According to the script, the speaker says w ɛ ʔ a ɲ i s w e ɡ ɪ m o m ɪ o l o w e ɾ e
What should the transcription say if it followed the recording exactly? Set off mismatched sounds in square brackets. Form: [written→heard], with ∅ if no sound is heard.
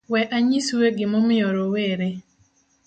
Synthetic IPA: w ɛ ʔ a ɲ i s w e ɡ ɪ m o m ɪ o [l→ɾ] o w e ɾ e